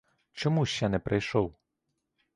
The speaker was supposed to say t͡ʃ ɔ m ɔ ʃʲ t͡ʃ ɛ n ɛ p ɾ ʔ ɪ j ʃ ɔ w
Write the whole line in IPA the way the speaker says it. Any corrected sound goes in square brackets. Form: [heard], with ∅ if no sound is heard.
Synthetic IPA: t͡ʃ ɔ m [u] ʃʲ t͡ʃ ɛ n ɛ p ɾ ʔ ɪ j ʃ ɔ w